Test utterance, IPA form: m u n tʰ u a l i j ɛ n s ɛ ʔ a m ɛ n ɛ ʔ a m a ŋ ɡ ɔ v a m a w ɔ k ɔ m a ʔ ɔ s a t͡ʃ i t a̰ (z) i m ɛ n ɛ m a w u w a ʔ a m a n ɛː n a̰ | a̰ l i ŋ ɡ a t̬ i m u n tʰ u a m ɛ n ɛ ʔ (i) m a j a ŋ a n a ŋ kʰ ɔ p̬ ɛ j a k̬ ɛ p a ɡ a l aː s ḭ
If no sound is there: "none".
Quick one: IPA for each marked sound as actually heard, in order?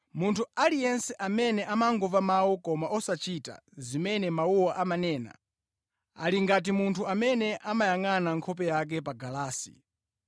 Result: z, a

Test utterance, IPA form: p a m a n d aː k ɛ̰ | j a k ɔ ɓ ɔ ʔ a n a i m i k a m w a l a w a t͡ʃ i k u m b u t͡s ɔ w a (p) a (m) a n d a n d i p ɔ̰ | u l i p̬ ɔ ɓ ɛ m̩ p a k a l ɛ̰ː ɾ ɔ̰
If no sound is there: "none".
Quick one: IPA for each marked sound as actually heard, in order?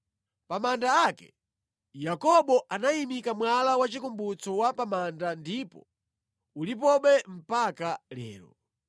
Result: p, m

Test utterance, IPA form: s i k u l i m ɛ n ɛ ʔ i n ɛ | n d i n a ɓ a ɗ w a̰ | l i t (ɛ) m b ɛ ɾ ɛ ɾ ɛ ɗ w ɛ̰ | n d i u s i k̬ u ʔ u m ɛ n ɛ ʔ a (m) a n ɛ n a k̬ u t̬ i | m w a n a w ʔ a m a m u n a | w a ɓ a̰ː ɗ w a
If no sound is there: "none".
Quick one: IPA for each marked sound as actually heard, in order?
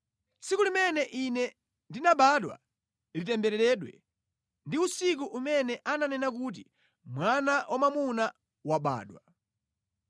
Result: ɛ, n

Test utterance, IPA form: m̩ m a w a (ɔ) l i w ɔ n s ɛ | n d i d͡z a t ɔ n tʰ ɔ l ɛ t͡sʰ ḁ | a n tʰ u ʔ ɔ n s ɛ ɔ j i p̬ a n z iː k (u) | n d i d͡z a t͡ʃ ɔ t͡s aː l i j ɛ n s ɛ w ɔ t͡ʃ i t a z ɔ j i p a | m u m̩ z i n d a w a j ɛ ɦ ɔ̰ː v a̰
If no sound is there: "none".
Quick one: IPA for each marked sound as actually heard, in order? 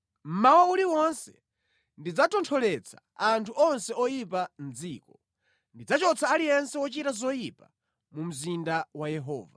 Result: u, ɔ

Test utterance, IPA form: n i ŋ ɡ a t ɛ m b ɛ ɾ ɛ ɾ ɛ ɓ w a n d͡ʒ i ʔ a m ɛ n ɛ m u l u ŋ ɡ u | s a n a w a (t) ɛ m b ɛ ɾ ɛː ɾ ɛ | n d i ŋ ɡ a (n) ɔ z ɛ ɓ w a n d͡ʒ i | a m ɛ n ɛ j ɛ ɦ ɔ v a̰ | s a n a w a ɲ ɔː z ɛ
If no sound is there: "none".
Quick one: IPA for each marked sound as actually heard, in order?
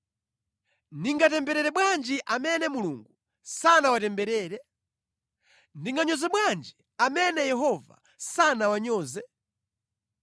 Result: t, ɲ

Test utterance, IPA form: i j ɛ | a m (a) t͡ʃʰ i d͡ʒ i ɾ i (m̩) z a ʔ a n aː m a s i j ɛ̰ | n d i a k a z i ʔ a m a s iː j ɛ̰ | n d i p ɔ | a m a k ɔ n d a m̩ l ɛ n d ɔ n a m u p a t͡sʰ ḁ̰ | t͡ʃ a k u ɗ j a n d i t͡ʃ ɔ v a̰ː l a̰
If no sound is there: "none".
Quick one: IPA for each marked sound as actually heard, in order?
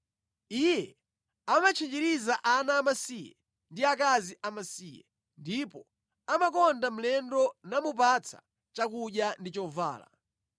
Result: a, none

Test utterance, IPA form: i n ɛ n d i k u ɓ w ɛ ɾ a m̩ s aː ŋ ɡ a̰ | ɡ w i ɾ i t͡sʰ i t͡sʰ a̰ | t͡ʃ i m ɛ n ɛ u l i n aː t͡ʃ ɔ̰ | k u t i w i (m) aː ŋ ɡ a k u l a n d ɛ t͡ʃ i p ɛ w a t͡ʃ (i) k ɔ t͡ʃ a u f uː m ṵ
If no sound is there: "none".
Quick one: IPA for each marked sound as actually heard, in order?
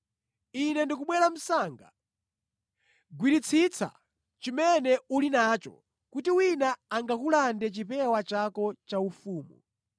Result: n, a

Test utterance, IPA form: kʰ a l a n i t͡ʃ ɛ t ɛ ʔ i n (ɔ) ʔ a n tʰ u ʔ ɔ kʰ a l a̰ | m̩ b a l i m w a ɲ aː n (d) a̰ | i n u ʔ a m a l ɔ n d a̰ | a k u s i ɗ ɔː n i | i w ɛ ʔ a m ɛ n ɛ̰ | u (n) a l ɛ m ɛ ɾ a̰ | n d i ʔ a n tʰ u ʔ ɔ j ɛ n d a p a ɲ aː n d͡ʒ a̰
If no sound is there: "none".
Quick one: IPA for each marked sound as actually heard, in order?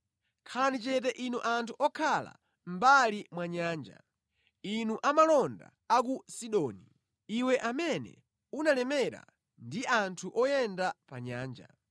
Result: u, d͡ʒ, n

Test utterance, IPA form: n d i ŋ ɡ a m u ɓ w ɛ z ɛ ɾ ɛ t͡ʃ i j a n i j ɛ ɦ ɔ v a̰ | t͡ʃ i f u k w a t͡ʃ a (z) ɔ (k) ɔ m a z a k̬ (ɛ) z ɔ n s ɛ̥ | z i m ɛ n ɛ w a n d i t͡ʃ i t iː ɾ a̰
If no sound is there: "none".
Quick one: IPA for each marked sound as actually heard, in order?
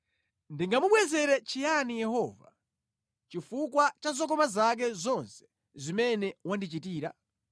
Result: z, k, ɛ

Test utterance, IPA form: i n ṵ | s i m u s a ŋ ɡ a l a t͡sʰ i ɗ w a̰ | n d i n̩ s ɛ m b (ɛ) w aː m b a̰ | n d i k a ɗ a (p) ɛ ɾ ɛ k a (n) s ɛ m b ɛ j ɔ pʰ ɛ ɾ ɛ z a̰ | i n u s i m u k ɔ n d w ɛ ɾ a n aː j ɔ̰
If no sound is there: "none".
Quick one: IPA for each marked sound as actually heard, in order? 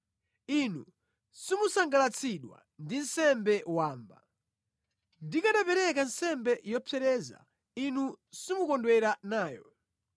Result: ɛ, p, n

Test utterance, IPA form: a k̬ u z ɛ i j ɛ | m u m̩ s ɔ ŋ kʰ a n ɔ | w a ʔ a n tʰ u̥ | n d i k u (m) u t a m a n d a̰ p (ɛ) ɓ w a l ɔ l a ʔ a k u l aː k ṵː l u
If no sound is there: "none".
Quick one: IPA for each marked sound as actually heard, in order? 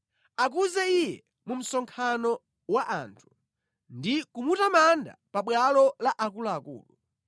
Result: m, a

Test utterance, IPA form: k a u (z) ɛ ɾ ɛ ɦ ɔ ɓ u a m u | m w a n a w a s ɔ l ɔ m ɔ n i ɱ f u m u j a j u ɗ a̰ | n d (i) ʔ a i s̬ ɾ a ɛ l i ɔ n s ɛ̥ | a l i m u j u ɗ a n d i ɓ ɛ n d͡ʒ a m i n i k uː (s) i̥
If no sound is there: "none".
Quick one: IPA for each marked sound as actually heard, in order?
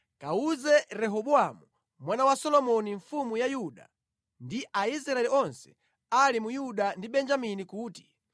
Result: z, i, t

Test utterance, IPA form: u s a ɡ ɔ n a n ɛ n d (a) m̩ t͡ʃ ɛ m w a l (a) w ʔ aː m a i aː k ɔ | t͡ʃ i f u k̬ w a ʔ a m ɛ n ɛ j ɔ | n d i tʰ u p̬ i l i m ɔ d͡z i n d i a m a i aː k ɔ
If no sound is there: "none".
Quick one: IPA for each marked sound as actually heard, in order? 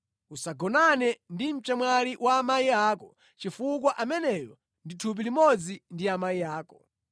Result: i, i

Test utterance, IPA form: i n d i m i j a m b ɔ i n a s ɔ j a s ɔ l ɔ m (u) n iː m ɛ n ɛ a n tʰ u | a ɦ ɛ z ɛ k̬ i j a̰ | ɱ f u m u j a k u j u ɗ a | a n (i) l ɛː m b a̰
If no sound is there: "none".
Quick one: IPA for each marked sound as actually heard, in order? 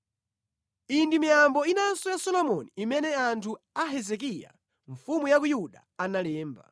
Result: ɔ, a

